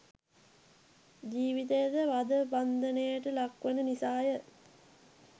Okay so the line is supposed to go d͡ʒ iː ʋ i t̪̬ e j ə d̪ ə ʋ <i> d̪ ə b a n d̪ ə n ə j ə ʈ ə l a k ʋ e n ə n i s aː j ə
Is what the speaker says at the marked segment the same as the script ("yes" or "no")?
no